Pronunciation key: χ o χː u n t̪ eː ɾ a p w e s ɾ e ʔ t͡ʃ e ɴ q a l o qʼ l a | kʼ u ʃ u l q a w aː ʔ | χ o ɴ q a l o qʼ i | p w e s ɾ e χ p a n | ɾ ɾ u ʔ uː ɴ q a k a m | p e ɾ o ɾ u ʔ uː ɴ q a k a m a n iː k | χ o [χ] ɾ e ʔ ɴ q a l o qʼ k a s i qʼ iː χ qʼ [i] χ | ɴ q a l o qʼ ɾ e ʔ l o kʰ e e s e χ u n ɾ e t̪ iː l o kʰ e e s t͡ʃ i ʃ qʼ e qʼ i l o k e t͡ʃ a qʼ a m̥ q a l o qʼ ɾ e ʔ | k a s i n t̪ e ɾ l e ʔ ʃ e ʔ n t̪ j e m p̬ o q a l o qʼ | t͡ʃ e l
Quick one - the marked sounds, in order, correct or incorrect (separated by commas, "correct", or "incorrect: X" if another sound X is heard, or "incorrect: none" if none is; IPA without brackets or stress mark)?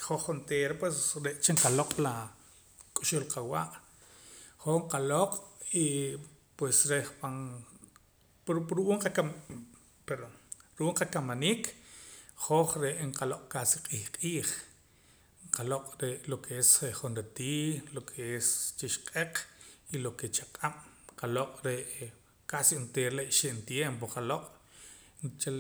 correct, incorrect: iː